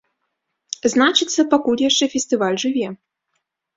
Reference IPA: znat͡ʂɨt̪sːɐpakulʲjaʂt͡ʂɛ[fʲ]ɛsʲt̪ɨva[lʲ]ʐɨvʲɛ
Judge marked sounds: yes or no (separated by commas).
yes, yes